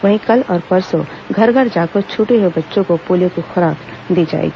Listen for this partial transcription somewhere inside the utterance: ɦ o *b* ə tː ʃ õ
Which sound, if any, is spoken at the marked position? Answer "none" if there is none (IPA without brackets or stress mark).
b